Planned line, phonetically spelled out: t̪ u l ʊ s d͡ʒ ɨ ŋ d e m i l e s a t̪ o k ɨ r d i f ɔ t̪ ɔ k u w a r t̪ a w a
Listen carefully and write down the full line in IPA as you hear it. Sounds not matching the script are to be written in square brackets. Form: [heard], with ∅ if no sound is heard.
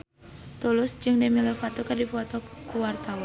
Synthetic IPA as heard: t̪ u l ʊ s d͡ʒ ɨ ŋ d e m i l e [f] a t̪ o k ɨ r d i f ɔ t̪ ɔ k u w a r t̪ a w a